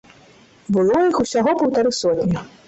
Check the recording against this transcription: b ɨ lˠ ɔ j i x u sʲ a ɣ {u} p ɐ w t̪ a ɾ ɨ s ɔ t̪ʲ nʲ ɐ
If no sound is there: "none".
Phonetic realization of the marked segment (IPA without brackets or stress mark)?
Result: ɔ